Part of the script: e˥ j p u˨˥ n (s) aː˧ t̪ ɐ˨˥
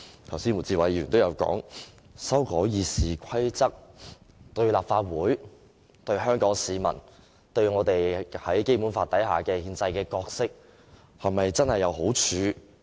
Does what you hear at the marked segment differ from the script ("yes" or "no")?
yes